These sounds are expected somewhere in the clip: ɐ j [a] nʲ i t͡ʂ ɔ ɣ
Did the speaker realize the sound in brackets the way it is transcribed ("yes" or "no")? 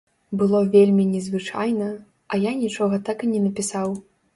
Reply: yes